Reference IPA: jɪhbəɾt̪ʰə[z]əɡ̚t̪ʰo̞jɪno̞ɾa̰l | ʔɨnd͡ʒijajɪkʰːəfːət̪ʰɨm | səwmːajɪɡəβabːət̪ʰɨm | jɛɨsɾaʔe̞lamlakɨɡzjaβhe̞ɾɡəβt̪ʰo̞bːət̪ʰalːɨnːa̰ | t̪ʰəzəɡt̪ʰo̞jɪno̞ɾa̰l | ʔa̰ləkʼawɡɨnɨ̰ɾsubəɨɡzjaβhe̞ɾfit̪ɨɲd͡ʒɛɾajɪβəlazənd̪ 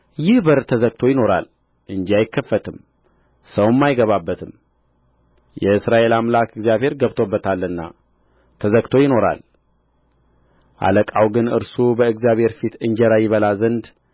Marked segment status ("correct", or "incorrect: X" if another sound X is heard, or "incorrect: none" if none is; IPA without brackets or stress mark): correct